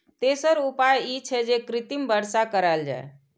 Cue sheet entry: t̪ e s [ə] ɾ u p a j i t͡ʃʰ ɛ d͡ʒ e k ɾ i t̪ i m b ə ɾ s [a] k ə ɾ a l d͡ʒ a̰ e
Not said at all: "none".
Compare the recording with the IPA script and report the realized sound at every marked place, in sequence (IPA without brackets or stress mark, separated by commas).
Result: ə, a